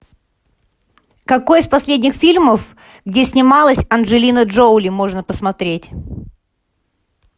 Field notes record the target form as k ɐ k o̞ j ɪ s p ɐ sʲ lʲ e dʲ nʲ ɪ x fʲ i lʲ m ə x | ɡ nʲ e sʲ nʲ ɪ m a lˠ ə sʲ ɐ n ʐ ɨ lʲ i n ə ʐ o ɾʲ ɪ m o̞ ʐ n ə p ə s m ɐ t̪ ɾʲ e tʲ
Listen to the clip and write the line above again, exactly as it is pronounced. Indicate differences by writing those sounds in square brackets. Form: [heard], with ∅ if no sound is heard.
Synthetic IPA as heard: k ɐ k o̞ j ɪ s p ɐ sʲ lʲ e dʲ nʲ ɪ x fʲ i lʲ m ə [f] | ɡ [dʲ] e sʲ nʲ ɪ m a lˠ ə sʲ ɐ n ʐ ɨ lʲ i n ə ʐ o [lʲ] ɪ m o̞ ʐ n ə p ə s m ɐ t̪ ɾʲ e tʲ